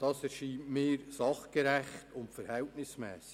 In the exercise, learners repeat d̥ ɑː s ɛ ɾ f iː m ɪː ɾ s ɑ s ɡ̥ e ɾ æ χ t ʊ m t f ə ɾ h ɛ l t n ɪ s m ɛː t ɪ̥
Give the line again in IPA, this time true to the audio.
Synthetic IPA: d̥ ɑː s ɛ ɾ ʃ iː m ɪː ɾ s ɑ χ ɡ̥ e ɾ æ χ t ʊ n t f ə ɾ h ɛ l t n ɪ s m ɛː s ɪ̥